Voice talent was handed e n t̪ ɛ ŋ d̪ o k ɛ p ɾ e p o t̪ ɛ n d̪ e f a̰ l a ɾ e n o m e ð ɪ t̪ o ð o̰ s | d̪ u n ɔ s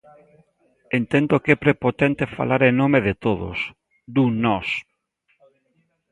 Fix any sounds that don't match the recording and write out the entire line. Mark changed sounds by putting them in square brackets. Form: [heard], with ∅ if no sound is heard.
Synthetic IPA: e n t̪ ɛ [n] d̪ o k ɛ p ɾ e p o t̪ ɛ n [t̪] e f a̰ l a ɾ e n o m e ð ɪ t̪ o ð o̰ s | d̪ u n ɔ s